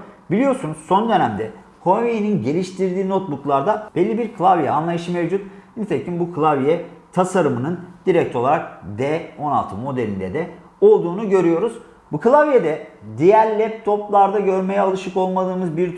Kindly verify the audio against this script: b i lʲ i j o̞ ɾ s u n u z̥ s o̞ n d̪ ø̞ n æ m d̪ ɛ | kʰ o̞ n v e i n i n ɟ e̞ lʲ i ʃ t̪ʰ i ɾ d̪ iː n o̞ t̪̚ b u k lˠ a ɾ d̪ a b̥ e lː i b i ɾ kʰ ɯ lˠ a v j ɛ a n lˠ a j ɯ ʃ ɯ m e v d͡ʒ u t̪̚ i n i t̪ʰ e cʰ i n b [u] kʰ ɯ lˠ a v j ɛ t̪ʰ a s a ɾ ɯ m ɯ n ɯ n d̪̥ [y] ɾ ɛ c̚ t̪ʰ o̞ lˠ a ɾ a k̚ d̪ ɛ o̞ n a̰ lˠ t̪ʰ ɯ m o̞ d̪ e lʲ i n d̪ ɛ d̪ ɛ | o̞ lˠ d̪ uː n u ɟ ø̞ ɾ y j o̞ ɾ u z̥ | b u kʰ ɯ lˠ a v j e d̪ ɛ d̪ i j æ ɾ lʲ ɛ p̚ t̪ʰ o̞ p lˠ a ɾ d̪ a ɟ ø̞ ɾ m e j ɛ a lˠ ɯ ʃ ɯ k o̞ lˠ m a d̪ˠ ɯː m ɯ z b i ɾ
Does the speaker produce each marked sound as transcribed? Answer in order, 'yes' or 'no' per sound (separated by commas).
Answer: yes, no